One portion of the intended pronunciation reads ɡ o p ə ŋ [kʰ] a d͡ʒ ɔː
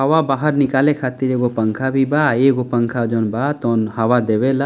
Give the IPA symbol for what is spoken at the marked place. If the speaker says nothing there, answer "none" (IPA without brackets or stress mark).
kʰ